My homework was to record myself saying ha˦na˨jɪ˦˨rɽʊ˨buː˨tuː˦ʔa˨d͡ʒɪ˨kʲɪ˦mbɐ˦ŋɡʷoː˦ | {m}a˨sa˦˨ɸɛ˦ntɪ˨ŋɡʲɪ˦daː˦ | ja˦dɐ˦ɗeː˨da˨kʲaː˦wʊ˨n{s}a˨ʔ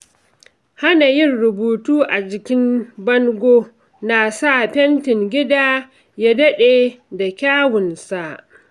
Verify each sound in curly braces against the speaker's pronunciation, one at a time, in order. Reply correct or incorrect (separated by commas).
incorrect, correct